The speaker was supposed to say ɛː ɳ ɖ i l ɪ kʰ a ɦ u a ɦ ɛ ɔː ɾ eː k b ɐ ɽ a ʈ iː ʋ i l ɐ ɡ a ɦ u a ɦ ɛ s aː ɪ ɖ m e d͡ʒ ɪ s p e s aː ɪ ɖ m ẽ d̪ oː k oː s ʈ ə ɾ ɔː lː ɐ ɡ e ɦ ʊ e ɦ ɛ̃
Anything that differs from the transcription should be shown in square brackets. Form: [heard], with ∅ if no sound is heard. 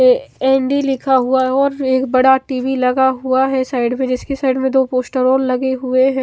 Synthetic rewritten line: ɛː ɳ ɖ i l ɪ kʰ a ɦ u a ɦ ɛ ɔː ɾ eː k b ɐ ɽ a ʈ iː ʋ i l ɐ ɡ a ɦ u a ɦ ɛ s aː ɪ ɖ m [ẽ] d͡ʒ ɪ s [k] e s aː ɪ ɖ m ẽ d̪ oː [p] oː s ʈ ə ɾ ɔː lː ɐ ɡ e ɦ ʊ e ɦ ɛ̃